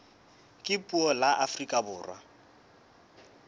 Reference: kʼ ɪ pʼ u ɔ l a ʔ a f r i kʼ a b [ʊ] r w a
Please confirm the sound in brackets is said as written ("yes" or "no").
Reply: no